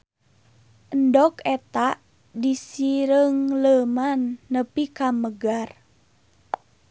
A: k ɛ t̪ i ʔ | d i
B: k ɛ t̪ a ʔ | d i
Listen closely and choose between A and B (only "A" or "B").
B